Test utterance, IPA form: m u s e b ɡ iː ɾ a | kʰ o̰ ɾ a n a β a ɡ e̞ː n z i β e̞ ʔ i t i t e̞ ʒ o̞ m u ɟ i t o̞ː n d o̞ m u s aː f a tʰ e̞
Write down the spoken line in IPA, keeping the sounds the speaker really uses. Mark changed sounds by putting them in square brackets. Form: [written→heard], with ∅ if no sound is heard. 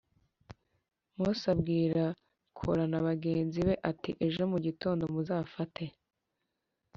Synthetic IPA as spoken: m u s [e→a] b ɡ iː ɾ a | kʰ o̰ ɾ a n a β a ɡ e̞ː n z i β e̞ ʔ [i→a] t i [t→ʔ] e̞ ʒ o̞ m u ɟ i t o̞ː n d o̞ m u [s→z] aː f a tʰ e̞